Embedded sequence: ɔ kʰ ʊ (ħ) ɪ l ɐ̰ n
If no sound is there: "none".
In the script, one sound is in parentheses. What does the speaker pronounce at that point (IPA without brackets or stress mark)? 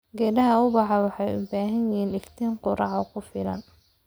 f